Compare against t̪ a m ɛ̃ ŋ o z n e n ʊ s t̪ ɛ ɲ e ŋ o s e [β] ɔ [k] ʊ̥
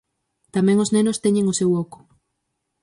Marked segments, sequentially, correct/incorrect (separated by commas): incorrect, correct